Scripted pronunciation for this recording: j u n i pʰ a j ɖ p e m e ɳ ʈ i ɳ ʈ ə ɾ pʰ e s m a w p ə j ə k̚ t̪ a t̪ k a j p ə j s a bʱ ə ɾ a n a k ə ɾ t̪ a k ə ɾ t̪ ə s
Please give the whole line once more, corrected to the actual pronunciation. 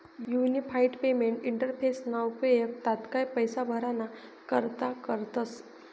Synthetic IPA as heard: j u n i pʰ a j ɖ p e m e ɳ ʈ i ɳ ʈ ə ɾ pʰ e s n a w p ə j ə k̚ t̪ a t̪ k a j p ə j s a bʱ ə ɾ a n a k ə ɾ t̪ a k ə ɾ t̪ ə s